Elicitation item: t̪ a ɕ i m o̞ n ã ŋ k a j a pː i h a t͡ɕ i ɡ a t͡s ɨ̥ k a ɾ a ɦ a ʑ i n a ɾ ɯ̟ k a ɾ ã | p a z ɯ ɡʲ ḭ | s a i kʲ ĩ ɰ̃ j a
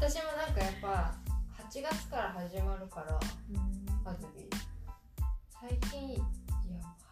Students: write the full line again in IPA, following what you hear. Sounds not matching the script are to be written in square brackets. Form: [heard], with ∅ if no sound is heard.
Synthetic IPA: t̪ a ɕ i m o̞ n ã ŋ k a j a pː [a] h a t͡ɕ i ɡ a t͡s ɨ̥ k a ɾ a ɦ a ʑ i [m] a ɾ ɯ̟ k a ɾ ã | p a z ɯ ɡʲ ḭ | s a i kʲ ĩ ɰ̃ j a